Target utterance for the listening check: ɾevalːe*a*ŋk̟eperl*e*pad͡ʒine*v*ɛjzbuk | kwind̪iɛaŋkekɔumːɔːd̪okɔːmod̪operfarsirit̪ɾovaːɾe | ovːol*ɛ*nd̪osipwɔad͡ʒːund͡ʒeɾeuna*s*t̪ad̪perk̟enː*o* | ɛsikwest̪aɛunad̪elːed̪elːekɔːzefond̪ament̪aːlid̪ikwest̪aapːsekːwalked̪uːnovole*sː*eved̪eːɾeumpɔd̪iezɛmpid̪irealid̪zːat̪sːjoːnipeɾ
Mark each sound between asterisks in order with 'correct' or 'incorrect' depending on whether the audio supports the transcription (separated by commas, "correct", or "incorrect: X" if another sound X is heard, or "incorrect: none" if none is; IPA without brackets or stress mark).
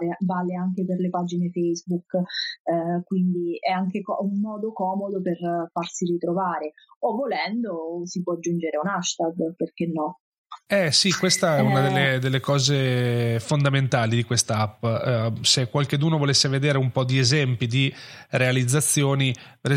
correct, correct, incorrect: f, correct, incorrect: ʃ, incorrect: ɔ, correct